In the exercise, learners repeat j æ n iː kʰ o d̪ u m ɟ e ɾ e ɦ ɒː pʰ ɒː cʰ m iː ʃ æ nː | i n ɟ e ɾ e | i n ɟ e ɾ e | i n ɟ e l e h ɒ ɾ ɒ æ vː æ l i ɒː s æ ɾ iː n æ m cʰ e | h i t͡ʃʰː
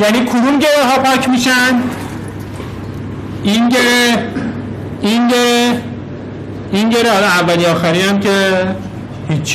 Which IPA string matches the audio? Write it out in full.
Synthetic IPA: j æ n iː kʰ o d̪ u m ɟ e ɾ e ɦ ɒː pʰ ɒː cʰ m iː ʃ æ n | i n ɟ e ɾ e | i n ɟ e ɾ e | i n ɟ e ɾ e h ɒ l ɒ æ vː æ l i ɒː x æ ɾ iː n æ m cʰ e | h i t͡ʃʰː